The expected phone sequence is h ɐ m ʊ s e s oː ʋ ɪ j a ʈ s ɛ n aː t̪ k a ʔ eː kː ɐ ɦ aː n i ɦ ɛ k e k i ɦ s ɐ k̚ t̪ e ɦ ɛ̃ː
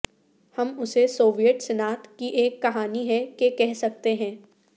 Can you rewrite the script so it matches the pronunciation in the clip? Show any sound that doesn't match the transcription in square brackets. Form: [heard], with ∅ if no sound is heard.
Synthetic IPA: h ɐ m ʊ s e s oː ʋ [i] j [ə] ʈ s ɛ n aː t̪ k [i] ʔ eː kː ɐ ɦ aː n i ɦ ɛ k e k [ɛ] ɦ s ɐ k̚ t̪ e ɦ ɛ̃ː